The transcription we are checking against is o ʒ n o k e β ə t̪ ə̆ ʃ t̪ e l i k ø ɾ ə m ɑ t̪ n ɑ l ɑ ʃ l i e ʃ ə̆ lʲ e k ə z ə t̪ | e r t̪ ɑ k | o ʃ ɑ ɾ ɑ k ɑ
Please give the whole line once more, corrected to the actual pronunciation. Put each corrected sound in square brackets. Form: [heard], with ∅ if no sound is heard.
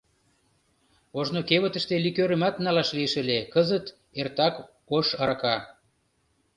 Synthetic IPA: o ʒ n o k e β ə t̪ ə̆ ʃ t̪ e l i k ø ɾ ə m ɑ t̪ n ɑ l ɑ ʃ l i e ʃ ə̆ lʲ e k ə z ə t̪ | e r t̪ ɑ k | o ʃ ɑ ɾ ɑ k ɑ